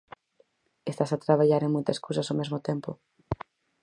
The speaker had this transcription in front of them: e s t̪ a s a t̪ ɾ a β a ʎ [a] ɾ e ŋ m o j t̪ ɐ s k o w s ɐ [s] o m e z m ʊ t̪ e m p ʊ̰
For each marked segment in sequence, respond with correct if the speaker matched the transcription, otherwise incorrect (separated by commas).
correct, correct